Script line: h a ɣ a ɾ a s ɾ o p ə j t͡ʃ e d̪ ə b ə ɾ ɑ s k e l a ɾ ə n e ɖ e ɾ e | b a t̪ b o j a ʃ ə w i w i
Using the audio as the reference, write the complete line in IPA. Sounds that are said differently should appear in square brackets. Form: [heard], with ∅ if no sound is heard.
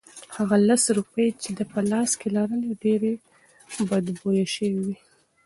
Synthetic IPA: h a ɣ a [l] a s ɾ [u] p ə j t͡ʃ e d̪ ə [p] ə [l] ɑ s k e l a ɾ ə n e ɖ e ɾ e | b a [d̪] b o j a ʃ ə w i w i